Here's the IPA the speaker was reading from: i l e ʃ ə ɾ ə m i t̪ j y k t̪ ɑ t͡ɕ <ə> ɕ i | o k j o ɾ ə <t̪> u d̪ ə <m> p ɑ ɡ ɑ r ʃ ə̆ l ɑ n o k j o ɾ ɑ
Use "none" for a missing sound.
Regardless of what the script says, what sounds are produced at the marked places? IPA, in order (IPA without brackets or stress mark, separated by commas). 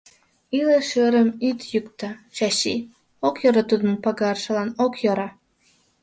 ɑ, t̪, n